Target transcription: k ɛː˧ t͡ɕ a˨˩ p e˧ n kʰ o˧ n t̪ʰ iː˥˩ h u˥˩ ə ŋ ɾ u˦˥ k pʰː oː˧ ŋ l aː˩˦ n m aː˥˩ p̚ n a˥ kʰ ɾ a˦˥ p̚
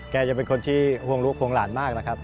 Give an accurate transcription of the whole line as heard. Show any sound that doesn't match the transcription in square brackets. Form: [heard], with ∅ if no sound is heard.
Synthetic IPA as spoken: k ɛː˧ t͡ɕ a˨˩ p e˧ n kʰ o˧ n t̪ʰ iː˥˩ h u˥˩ ə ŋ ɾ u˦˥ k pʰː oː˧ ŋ l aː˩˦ n m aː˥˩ [k̚] n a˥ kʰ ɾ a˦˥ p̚